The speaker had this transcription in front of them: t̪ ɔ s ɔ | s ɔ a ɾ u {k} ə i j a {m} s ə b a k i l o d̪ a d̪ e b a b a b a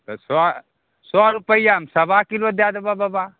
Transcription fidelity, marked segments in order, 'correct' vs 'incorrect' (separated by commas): incorrect, correct